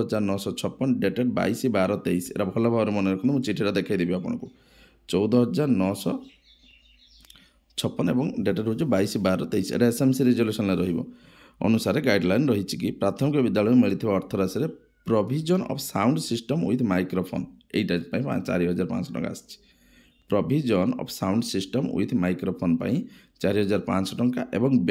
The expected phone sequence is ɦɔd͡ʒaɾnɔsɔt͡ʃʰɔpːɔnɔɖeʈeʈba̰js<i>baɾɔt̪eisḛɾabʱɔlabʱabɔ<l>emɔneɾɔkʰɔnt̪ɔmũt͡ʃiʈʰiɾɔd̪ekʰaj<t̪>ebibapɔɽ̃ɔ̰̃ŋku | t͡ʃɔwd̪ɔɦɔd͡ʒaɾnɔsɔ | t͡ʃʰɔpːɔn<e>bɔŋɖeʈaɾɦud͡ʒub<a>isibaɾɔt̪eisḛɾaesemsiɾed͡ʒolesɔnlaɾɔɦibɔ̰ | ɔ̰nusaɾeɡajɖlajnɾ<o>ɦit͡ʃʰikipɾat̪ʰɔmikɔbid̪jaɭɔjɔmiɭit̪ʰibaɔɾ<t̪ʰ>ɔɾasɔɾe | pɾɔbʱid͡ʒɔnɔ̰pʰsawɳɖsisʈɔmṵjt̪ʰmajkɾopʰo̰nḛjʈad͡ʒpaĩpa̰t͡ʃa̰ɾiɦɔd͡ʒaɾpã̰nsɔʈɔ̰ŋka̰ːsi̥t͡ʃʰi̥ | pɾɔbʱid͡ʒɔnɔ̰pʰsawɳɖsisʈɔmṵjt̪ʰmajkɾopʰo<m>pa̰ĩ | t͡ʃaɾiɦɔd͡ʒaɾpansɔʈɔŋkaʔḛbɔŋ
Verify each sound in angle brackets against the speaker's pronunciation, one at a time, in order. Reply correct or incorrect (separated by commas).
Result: correct, incorrect, incorrect, correct, correct, incorrect, correct, incorrect